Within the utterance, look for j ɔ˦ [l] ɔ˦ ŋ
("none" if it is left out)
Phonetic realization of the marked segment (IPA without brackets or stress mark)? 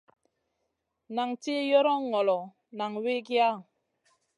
ɾ